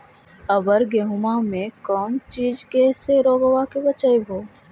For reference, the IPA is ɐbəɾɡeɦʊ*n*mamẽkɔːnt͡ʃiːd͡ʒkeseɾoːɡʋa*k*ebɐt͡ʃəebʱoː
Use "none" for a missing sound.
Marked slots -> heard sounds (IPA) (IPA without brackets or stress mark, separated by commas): none, k